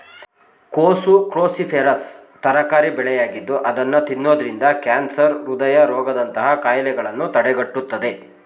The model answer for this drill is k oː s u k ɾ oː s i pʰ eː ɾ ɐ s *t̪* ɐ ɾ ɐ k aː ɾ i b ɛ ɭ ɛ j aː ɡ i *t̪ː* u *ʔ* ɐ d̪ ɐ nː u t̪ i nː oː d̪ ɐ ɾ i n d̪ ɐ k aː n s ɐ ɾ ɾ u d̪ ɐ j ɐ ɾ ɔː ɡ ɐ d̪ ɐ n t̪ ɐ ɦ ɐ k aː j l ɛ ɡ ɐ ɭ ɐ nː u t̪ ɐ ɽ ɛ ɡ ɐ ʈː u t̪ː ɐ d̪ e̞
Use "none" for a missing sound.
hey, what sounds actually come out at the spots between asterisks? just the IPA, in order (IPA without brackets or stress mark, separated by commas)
t̪, d̪ː, ʔ